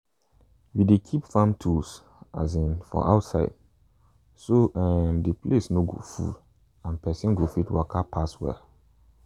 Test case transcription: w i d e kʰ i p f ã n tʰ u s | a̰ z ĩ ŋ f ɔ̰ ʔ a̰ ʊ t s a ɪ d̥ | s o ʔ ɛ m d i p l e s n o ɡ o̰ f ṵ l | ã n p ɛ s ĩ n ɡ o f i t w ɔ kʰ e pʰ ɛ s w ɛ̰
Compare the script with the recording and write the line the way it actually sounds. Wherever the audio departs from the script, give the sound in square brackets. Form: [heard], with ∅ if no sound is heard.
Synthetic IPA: w i d e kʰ i p f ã [m] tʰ u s | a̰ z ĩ [n] f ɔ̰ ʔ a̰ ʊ t s a ɪ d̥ | s o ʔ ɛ m d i p l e s n o ɡ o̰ f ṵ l | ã n p ɛ s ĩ n ɡ o f i t w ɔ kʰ [a] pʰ [a] s w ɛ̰